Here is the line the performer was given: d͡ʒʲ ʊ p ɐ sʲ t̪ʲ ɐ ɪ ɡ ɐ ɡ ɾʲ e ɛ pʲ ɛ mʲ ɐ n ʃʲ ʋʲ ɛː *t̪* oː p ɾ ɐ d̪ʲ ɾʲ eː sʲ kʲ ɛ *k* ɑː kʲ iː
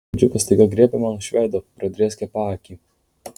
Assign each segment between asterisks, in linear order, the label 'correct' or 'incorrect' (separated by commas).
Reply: incorrect, incorrect